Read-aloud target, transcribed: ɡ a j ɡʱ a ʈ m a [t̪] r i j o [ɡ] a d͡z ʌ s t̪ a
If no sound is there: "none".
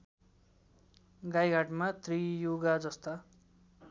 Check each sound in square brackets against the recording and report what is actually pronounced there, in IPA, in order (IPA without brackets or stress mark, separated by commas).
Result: t̪, ɡ